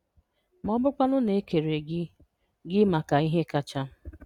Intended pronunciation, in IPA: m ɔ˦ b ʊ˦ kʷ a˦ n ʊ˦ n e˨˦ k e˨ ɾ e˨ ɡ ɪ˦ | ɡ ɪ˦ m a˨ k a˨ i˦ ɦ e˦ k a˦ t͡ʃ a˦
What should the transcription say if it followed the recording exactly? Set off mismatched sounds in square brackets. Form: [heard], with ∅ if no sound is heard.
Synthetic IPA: m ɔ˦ b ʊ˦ kʷ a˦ n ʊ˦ n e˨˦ k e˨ ɾ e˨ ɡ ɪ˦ | ɡ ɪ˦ m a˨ k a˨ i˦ ɦ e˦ k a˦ t͡ʃ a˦